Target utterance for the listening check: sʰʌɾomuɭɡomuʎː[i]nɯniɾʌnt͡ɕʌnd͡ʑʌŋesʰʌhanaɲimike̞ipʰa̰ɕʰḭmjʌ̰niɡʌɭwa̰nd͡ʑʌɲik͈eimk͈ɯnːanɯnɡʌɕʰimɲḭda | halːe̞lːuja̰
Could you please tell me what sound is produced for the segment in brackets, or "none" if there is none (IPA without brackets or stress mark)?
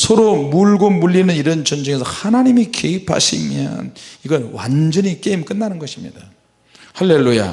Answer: i